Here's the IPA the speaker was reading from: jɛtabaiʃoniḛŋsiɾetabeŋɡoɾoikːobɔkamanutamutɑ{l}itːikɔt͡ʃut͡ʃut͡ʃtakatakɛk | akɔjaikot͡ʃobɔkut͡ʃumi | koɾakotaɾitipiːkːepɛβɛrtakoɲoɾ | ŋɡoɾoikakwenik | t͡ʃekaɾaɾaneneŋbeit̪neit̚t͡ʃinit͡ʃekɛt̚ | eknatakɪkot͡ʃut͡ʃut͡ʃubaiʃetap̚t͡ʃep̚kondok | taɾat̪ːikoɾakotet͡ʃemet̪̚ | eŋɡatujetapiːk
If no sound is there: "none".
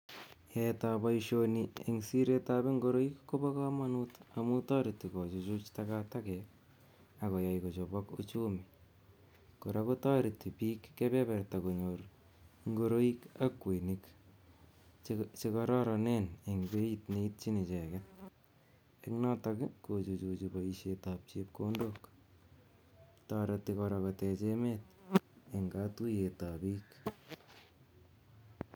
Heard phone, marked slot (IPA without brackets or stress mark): ɾ